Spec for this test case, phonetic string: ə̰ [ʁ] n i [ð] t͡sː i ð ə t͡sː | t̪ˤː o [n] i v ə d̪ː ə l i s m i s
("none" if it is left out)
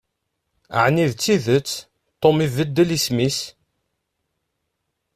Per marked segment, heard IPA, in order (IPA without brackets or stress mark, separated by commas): ʕ, ð, m